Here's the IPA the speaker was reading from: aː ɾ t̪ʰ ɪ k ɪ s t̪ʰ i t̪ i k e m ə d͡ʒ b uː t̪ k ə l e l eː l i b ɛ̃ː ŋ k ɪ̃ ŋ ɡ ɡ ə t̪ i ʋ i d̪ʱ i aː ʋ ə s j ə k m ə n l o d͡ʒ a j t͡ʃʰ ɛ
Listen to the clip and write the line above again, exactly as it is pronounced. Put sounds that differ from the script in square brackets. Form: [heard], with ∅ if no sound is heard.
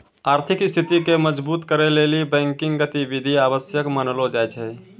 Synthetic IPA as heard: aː ɾ t̪ʰ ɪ k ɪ s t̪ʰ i t̪ i k e m ə d͡ʒ b uː t̪ k ə [ɾ] e l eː l i b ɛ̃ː ŋ k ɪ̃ ŋ ɡ ɡ ə t̪ i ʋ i d̪ʱ i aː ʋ ə s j ə k m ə n l o d͡ʒ a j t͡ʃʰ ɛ